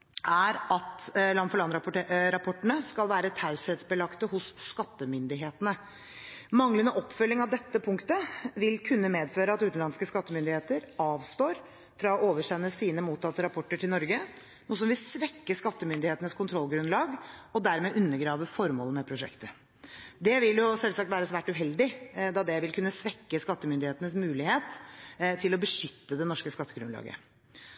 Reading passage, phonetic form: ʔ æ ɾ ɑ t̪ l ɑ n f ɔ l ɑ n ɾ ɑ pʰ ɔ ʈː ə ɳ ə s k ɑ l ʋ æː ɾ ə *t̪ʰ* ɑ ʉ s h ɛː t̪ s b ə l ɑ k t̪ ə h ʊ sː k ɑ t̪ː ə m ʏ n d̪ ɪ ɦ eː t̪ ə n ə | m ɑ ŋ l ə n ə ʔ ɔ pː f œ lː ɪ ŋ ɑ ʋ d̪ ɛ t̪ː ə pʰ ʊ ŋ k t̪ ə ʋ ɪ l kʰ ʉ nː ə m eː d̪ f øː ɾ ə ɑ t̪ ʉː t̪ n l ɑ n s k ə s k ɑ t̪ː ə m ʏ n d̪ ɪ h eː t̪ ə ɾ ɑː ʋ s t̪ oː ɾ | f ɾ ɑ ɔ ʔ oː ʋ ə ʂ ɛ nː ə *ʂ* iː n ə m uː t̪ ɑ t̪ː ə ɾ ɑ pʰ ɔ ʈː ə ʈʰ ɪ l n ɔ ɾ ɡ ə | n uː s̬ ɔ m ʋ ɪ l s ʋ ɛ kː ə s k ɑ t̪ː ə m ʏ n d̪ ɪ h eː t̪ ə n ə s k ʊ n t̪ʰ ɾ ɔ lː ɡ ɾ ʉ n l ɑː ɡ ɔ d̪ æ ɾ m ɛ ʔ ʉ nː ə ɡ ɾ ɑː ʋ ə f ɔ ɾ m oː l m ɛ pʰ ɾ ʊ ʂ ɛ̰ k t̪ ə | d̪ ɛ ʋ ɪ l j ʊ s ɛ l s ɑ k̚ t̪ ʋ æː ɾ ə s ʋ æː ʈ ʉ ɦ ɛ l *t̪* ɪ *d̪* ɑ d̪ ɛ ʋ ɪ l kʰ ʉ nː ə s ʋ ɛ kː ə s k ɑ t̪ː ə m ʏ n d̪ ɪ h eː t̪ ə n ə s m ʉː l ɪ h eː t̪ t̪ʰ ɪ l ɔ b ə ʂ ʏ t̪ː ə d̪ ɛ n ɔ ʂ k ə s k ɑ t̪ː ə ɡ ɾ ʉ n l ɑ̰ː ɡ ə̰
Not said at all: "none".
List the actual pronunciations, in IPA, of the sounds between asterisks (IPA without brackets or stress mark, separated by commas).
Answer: t̪ʰ, s, d̪, d̪